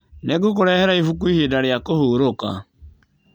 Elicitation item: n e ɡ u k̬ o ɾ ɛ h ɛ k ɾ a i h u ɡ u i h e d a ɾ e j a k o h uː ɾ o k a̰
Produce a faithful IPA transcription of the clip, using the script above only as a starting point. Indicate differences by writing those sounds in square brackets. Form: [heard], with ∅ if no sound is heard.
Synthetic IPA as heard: n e ɡ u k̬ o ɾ ɛ h ɛ [∅] ɾ a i [f] u [k] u i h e d a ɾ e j a k o h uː ɾ o k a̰